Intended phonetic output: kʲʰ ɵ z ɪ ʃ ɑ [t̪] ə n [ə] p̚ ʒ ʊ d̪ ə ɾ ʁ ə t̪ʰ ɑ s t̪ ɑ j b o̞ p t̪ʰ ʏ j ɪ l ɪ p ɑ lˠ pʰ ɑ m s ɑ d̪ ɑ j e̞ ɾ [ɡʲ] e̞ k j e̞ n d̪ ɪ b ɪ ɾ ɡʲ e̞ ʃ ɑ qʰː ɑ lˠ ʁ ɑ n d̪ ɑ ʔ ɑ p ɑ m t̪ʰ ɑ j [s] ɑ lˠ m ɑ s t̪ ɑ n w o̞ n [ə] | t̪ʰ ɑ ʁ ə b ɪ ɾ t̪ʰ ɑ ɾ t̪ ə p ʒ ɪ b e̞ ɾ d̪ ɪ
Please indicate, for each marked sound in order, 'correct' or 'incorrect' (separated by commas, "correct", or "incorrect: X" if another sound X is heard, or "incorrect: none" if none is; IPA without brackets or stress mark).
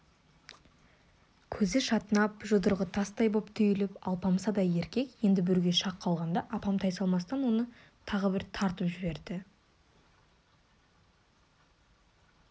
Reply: correct, incorrect: ɑ, incorrect: kʲ, correct, correct